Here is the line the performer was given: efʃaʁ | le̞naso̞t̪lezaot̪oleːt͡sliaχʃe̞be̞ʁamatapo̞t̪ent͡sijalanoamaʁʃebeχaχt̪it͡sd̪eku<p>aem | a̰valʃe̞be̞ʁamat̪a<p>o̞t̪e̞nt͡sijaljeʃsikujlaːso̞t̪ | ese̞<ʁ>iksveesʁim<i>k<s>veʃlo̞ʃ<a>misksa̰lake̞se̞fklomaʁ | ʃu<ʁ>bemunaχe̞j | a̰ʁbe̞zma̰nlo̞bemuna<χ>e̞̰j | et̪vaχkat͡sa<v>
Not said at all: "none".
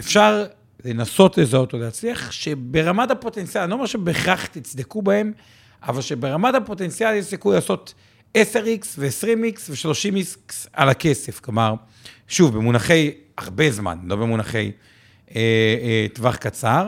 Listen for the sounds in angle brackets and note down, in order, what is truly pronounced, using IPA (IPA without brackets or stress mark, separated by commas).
b, p, ʁ, i, s, i, v, χ, ʁ